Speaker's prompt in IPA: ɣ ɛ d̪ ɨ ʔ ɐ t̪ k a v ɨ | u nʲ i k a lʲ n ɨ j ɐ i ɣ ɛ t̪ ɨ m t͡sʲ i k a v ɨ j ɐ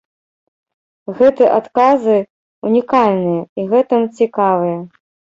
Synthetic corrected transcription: ɣ ɛ t̪ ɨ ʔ a t̪ k a z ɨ | u nʲ i k a lʲ n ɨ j ɐ i ɣ ɛ t̪ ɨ m t͡sʲ i k a v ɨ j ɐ